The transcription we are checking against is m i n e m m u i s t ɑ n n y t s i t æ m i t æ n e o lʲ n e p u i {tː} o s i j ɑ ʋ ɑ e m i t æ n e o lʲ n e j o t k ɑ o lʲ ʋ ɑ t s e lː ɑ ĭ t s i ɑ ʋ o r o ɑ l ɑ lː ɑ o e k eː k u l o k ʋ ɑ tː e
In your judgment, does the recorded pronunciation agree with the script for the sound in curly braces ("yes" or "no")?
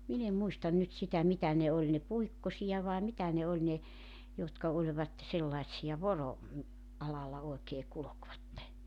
no